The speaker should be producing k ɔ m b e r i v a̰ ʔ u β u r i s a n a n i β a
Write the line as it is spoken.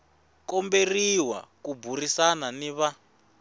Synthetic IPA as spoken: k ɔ m b e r i w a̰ k u b u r i s a n a n i β a